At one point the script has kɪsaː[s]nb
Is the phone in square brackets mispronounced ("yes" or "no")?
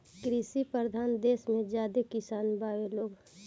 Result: yes